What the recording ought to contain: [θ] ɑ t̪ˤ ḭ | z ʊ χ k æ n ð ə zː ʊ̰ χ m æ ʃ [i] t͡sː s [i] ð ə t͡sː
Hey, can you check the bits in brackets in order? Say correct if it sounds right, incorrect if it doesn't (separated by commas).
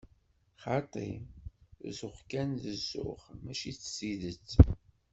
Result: incorrect, correct, correct